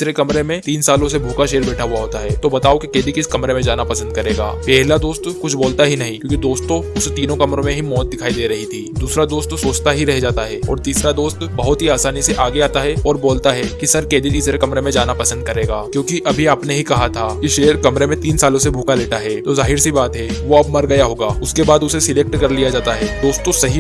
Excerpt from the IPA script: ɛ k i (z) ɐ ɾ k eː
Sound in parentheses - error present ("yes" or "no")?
yes